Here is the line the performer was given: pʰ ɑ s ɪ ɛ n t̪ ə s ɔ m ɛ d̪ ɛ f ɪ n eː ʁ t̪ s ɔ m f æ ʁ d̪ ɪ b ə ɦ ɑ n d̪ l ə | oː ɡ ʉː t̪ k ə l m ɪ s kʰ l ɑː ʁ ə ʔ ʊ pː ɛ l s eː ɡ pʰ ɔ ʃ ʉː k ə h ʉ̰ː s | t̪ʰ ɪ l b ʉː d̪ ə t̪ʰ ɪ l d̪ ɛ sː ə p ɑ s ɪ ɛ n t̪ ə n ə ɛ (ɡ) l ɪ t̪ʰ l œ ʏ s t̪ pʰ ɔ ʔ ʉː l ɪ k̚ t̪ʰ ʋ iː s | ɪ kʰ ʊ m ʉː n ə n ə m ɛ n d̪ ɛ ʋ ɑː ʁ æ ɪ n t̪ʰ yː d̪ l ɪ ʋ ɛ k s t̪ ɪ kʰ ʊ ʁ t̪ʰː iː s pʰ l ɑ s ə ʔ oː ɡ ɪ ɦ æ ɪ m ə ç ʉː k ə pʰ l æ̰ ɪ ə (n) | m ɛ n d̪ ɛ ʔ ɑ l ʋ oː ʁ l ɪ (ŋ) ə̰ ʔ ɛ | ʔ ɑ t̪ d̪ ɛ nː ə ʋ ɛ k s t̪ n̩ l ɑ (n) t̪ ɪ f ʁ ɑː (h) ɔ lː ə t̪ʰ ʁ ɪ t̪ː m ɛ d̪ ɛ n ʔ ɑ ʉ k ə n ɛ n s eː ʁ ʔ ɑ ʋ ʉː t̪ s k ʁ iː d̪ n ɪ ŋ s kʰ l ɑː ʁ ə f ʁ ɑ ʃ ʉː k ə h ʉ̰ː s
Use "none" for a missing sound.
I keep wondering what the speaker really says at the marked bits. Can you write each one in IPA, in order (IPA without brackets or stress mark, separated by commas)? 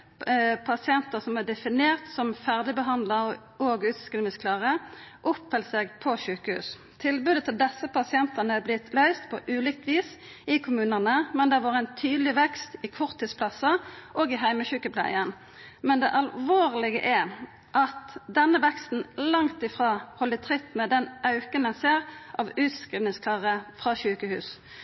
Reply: b, n, ɡ, ŋ, h